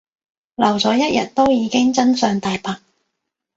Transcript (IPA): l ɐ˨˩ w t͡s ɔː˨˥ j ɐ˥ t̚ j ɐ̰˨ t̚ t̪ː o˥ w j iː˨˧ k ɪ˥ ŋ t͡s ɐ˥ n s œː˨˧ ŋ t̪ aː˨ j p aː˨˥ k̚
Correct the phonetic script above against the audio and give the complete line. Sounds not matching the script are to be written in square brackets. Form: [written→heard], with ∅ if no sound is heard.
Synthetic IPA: l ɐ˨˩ w t͡s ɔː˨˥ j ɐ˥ t̚ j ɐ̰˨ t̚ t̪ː o˥ w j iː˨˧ k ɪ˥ ŋ t͡s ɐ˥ n s œː˨˧ ŋ t̪ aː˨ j p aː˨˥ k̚